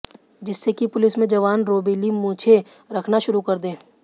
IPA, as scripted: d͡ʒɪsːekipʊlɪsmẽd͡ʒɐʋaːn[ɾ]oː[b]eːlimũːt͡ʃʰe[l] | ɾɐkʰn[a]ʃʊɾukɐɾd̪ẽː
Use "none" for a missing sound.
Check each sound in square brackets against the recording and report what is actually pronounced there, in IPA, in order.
ɾ, b, none, a

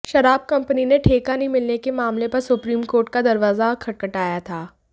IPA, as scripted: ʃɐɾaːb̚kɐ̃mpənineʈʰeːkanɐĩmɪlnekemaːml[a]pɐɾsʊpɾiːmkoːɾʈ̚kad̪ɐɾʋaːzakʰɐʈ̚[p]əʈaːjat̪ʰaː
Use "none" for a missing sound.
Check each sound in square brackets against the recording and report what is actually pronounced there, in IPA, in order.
e, k

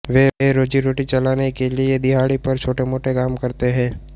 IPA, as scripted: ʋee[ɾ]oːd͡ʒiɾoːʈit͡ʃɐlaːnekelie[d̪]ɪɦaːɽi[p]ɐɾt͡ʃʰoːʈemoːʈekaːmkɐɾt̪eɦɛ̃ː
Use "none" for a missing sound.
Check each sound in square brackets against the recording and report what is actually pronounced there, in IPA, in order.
ɾ, d̪, p

